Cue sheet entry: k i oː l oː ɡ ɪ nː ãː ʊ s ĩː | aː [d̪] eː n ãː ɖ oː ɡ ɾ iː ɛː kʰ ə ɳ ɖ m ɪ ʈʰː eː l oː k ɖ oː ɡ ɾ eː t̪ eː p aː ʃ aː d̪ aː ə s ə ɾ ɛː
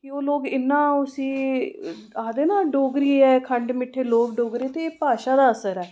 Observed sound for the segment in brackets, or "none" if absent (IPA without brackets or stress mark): d̪